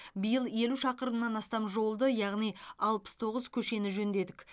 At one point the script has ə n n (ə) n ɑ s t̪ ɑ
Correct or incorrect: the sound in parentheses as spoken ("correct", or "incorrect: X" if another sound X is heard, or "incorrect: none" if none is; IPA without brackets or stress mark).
incorrect: ɑ